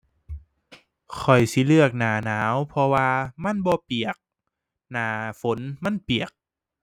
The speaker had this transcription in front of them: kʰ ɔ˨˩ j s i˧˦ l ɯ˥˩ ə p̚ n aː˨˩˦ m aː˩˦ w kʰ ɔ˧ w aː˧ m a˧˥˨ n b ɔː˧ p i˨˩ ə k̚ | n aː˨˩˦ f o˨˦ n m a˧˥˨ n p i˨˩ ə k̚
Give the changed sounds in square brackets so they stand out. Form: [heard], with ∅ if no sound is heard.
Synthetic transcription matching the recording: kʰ ɔ˨˩ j s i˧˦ l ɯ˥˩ ə [k̚] n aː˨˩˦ [n] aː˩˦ w [pʰ] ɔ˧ w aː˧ m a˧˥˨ n b ɔː˧ p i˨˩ ə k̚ | n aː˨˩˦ f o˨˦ n m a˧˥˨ n p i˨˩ ə k̚